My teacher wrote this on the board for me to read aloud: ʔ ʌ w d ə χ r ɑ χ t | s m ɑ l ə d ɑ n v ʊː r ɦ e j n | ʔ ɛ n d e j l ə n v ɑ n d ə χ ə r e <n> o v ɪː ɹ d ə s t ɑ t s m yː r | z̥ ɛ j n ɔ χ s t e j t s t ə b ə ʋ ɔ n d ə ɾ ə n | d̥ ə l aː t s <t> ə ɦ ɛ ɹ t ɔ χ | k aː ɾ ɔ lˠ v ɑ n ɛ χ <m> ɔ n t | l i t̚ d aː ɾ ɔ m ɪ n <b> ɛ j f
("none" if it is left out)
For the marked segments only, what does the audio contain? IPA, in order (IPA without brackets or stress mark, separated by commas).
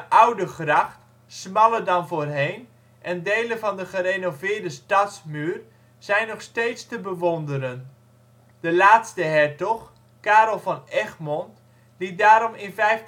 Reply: n, t, m, v